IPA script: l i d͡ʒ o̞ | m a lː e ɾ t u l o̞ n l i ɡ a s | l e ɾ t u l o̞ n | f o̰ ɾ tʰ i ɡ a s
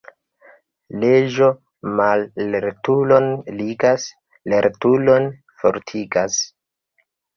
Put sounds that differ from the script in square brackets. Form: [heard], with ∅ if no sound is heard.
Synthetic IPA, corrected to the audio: l [e] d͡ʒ o̞ | m a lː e ɾ t u l o̞ n l i ɡ a s | l e ɾ t u l o̞ n | f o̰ ɾ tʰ i ɡ a s